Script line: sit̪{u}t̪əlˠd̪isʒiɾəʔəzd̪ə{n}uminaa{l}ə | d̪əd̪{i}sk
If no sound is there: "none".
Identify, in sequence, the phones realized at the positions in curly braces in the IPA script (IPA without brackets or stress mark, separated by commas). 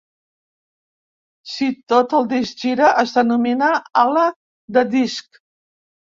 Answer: o, n, l, i